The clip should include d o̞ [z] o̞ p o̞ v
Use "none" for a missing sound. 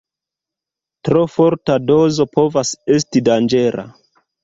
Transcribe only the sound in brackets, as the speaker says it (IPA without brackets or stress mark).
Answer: z